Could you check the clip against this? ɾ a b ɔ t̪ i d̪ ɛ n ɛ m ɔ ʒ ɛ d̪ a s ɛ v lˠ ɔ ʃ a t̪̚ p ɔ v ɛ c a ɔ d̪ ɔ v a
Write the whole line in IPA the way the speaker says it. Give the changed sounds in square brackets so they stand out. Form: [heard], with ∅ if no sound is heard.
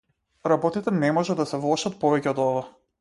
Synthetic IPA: ɾ a b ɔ t̪ i [t̪] ɛ n ɛ m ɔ ʒ ɛ d̪ a s ɛ v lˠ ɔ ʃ a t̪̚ p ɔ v ɛ c [ɛ] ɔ d̪ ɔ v a